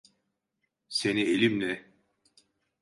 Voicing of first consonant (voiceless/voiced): voiceless